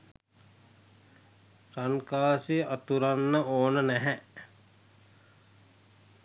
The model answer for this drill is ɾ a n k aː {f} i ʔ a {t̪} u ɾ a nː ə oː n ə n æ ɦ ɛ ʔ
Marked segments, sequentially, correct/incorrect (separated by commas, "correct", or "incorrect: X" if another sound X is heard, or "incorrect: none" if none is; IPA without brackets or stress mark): incorrect: s, correct